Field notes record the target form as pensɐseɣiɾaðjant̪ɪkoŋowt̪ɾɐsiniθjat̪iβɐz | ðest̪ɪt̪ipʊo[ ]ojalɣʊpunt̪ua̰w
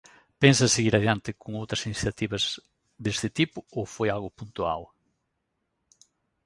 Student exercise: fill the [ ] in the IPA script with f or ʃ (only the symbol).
f